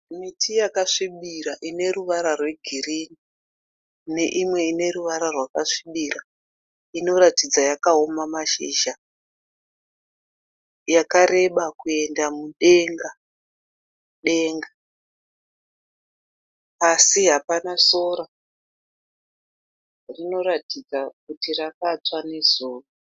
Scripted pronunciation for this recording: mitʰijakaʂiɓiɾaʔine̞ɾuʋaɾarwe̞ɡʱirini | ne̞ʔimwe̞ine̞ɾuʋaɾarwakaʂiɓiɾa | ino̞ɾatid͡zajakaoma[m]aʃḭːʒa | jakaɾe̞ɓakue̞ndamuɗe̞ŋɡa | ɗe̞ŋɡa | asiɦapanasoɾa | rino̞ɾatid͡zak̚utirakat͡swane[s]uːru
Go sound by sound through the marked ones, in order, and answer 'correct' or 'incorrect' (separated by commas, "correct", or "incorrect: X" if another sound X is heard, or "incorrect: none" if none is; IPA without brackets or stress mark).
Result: correct, incorrect: z